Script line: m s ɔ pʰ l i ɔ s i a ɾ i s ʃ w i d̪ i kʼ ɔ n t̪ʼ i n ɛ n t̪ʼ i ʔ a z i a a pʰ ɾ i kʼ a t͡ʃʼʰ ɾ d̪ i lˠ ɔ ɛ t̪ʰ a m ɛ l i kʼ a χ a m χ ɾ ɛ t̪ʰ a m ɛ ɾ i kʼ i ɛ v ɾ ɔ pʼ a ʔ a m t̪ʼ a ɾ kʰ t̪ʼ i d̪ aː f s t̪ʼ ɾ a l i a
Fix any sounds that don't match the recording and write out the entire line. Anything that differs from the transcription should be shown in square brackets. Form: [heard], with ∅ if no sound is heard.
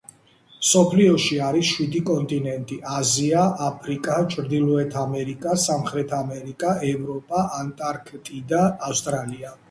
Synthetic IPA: m s ɔ pʰ l i ɔ [ʃ] i a ɾ i s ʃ w i d̪ i kʼ ɔ n t̪ʼ i n ɛ n t̪ʼ i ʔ a z i a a pʰ ɾ i kʼ a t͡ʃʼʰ ɾ d̪ i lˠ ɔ ɛ t̪ʰ a m ɛ [ɾ] i kʼ a [s] a m χ ɾ ɛ t̪ʰ a m ɛ ɾ i kʼ [a] ɛ v ɾ ɔ pʼ a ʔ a [n] t̪ʼ a ɾ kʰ t̪ʼ i d̪ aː f s t̪ʼ ɾ a l i a